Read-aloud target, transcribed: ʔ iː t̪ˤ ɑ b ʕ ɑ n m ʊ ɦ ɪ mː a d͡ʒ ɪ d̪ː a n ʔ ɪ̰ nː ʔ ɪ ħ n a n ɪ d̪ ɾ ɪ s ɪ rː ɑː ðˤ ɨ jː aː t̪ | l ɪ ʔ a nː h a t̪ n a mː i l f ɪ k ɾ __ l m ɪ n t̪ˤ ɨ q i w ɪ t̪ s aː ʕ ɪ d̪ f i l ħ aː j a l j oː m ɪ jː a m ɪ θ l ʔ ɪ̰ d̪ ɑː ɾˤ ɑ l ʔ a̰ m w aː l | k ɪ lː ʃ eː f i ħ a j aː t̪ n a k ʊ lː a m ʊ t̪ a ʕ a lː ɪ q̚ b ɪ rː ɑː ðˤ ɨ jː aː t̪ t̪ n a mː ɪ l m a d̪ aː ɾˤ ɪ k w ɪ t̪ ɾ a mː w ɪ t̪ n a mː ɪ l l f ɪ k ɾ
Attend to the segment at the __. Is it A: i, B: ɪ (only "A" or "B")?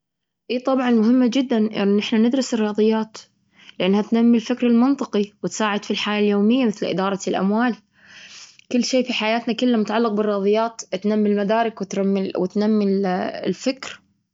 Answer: B